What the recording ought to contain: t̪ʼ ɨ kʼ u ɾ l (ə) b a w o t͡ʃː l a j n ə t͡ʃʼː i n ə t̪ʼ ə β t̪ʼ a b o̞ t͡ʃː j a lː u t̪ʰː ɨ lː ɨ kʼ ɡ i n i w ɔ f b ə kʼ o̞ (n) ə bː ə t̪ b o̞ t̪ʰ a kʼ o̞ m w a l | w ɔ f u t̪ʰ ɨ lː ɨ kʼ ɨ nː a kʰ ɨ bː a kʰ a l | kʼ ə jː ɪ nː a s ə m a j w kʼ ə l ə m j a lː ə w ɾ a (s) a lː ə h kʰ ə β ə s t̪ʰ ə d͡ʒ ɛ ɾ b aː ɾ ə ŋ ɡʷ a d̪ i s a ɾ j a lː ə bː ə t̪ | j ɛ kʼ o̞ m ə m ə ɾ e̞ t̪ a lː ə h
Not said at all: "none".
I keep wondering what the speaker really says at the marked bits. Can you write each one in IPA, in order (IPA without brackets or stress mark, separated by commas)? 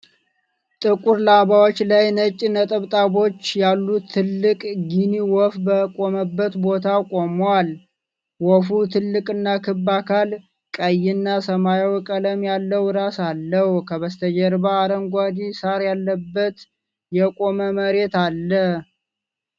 a, m, s